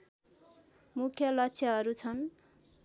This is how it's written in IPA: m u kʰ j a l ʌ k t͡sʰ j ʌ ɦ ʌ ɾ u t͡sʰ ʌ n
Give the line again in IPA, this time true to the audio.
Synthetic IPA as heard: m u kʰ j ʌ l ʌ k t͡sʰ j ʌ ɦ ʌ ɾ u t͡sʰ ʌ n